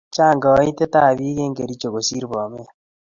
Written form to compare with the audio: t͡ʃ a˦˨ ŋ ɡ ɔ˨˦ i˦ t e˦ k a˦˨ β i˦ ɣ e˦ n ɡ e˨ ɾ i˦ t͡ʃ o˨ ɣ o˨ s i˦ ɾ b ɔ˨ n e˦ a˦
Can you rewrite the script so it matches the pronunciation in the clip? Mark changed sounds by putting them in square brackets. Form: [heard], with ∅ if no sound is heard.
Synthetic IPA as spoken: t͡ʃ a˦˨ ŋ ɡ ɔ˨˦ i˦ t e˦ [t] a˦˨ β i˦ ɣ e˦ [ŋ] ɡ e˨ ɾ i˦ t͡ʃ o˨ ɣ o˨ s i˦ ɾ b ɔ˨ [m] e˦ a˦